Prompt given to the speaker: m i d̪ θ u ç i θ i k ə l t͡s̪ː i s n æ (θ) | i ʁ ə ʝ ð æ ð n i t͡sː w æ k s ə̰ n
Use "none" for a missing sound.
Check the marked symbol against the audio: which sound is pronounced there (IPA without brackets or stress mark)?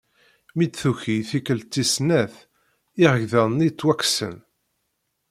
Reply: θ